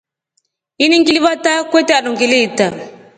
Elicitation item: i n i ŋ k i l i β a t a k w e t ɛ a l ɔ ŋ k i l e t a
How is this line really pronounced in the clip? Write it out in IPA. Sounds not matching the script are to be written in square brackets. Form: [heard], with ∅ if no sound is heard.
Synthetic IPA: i n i ŋ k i l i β a t a k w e t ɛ a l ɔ ŋ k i l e t a